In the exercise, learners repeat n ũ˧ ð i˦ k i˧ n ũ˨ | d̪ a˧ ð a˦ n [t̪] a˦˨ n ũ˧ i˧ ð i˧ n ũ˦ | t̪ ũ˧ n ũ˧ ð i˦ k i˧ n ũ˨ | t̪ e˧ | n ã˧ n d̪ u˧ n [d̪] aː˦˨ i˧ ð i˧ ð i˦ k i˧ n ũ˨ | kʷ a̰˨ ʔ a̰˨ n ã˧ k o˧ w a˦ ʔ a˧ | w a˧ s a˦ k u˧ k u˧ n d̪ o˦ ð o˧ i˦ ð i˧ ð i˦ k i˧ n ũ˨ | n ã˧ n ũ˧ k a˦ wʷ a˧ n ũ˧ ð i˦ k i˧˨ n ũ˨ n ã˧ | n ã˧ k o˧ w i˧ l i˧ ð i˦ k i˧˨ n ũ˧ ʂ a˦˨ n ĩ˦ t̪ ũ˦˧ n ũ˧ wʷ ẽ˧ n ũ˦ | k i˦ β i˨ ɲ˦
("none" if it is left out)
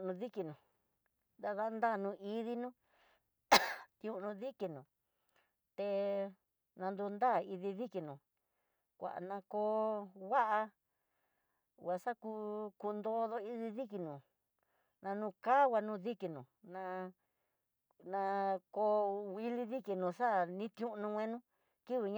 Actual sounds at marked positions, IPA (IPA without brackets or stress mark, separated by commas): d̪, d̪